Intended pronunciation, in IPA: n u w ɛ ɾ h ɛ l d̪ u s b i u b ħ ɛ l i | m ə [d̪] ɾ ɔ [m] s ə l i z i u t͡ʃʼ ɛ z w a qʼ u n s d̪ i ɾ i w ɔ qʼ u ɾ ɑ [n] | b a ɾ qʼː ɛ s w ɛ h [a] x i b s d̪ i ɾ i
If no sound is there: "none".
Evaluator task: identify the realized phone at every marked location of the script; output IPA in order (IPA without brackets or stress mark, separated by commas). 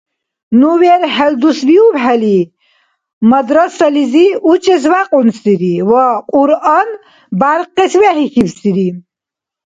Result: d̪, none, n, i